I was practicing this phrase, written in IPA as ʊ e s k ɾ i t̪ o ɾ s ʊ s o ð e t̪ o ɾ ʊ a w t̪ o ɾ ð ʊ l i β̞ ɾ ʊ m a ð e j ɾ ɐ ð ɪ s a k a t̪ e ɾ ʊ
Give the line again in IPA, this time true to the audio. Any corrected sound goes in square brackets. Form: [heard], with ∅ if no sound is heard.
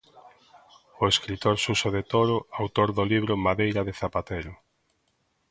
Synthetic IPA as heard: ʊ e s k ɾ i t̪ o ɾ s [u] s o ð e t̪ o ɾ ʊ a w t̪ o ɾ ð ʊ l i β̞ ɾ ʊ m a ð e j ɾ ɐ ð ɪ [θ] a [p] a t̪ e ɾ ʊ